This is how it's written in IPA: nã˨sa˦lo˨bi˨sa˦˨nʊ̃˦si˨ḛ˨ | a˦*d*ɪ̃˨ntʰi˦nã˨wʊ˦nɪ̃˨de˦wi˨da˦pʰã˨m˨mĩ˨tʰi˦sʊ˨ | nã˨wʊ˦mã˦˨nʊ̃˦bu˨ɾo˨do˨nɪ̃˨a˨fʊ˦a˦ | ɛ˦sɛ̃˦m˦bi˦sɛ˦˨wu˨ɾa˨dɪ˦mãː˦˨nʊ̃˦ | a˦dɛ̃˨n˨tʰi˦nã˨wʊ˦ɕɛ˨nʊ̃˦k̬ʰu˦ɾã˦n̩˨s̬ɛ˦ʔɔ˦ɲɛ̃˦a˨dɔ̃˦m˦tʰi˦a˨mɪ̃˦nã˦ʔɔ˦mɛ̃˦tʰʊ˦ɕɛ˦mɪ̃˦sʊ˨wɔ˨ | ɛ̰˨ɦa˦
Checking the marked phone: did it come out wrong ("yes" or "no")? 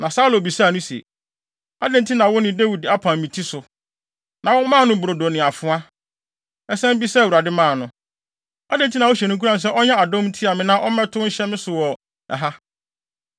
no